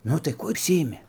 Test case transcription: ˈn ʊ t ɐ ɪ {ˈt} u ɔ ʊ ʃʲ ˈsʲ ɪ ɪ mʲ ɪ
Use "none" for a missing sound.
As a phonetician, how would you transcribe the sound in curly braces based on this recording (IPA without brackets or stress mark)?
k